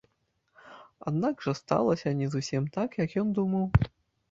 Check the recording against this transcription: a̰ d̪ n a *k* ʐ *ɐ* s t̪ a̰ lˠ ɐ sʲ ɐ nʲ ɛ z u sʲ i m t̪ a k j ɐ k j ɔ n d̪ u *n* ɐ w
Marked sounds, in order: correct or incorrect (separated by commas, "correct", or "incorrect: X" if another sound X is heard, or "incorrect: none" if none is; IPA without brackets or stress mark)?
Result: incorrect: ɡ, correct, incorrect: m